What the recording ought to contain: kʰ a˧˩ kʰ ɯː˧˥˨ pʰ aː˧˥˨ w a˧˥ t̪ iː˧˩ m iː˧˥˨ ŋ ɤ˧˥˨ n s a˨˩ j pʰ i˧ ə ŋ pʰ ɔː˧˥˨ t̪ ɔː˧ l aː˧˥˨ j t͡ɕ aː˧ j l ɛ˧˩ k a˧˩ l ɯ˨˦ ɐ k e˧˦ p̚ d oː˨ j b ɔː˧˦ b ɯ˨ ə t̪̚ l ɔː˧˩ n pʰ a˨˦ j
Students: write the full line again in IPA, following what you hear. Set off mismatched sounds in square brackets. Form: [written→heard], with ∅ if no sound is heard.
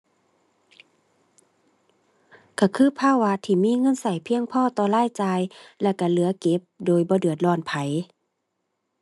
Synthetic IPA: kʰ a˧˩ kʰ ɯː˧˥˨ pʰ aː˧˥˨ w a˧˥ [t̪→t̪ʰ] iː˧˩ m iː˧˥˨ ŋ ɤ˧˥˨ n s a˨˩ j pʰ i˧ ə ŋ pʰ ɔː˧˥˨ t̪ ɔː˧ l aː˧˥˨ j t͡ɕ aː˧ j l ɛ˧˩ k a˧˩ l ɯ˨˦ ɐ k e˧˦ p̚ d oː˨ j b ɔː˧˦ [b→d] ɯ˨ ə t̪̚ l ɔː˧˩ n pʰ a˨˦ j

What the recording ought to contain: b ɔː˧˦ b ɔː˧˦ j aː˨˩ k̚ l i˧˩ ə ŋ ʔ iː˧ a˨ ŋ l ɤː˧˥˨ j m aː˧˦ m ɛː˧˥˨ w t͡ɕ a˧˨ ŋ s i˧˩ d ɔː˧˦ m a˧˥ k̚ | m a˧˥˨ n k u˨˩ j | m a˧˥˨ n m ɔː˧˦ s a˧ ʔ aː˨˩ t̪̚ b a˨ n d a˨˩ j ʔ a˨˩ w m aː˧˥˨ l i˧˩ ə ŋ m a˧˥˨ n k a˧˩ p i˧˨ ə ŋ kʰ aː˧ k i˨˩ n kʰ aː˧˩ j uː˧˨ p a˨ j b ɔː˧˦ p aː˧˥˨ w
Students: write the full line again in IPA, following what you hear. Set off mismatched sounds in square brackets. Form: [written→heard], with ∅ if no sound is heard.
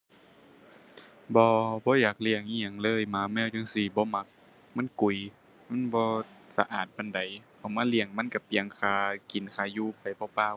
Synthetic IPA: b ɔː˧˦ b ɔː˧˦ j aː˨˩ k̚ l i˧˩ ə ŋ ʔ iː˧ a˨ ŋ l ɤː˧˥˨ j m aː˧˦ m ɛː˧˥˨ w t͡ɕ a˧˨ ŋ s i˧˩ [d→b] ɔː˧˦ m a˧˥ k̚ | m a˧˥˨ n k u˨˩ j | m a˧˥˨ n [m→b] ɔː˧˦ s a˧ ʔ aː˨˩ t̪̚ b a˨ n d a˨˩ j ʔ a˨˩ w m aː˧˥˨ l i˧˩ ə ŋ m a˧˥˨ n k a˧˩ p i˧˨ ə ŋ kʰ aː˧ k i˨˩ n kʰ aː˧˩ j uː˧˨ p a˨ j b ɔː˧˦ p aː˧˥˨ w

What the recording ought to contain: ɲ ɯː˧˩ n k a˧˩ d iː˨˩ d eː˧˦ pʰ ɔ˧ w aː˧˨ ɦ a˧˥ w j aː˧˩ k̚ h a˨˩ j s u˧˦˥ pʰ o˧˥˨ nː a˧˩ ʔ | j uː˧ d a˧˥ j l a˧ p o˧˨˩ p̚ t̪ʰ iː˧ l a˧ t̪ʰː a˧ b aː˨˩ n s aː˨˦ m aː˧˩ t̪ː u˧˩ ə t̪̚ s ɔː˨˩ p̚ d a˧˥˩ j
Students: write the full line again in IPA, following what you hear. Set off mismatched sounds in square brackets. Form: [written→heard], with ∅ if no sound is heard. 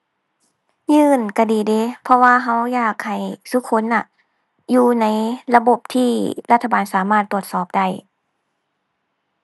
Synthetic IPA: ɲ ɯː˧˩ n k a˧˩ d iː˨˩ d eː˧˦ pʰ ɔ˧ w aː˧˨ ɦ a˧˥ w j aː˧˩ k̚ h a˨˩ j s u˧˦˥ [pʰ→kʰ] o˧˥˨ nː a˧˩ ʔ | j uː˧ [d→n] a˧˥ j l a˧ [p→b] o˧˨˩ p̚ t̪ʰ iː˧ l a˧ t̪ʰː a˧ b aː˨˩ n s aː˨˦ m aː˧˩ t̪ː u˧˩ ə t̪̚ s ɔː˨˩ p̚ d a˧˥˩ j

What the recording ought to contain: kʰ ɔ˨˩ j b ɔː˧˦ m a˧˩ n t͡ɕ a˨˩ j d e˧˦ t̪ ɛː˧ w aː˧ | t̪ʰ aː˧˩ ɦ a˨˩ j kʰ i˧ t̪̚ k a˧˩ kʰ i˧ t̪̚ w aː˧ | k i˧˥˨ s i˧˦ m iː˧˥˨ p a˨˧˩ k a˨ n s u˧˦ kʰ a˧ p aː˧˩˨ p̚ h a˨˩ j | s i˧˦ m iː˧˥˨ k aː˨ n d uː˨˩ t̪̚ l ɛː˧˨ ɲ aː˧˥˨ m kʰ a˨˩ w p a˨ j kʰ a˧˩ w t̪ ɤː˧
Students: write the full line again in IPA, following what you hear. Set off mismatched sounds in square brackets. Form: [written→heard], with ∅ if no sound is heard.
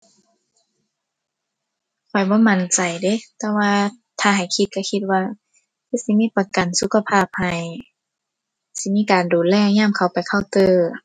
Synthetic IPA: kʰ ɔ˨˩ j b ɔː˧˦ m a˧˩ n t͡ɕ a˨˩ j d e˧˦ t̪ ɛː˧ w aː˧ | t̪ʰ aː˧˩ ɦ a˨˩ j kʰ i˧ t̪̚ k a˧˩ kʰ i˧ t̪̚ w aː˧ | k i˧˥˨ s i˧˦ m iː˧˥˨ p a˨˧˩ k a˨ n s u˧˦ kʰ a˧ [p→pʰ] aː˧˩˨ p̚ h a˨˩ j | s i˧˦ m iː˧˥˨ k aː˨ n d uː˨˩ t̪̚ l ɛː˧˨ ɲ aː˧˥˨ m kʰ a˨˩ w p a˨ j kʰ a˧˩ w t̪ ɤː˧

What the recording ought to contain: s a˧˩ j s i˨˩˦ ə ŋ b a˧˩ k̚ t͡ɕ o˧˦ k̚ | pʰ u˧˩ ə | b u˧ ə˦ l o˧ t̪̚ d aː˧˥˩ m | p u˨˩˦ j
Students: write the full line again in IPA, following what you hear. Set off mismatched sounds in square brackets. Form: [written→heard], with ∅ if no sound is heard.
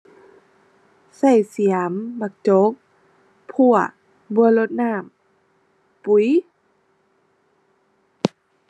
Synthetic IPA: s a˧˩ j s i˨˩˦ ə [ŋ→m] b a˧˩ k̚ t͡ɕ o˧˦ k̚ | pʰ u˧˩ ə | b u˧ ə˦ l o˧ t̪̚ [d→n] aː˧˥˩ m | p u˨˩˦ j

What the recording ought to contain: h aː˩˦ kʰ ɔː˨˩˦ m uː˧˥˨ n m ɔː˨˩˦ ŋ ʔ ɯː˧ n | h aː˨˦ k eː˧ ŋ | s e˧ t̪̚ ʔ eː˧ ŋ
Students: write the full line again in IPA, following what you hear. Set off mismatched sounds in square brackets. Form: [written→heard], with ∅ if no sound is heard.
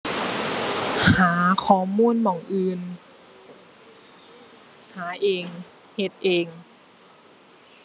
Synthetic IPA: h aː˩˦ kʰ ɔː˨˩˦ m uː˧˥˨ n m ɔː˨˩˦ ŋ ʔ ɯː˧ n | h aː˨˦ [k→ʔ] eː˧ ŋ | [s→h] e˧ t̪̚ ʔ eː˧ ŋ

